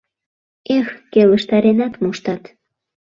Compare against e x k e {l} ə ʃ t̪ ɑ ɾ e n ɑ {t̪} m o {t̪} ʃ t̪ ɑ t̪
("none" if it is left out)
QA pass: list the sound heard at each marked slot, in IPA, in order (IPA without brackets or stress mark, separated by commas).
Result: l, t̪, none